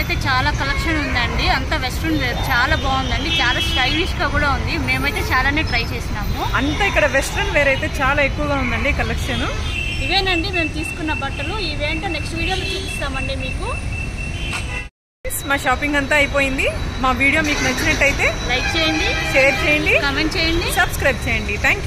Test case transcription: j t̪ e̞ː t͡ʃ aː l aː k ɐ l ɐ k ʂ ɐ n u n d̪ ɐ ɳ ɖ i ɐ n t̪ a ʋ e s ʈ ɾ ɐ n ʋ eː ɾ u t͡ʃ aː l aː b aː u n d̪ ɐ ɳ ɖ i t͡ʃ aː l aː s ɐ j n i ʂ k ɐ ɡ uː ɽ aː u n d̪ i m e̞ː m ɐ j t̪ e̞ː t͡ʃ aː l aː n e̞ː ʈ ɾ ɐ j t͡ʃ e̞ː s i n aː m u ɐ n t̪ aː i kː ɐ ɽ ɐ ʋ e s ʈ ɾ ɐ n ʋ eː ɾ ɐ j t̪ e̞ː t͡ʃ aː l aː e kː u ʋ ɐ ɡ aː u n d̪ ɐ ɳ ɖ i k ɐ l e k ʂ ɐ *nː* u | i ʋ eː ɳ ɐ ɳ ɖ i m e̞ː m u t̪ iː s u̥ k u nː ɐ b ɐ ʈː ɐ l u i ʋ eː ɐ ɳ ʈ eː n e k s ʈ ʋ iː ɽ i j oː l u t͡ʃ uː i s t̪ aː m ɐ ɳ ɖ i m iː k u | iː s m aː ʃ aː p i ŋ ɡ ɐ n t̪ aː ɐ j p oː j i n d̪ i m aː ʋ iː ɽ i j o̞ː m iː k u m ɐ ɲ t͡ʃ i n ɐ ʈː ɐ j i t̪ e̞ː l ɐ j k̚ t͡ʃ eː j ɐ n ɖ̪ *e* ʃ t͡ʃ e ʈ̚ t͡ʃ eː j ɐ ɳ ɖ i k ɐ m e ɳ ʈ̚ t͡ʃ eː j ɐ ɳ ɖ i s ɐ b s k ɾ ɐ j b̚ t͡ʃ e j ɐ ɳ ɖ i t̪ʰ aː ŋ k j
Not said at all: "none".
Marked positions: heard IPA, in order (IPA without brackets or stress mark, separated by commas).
n, i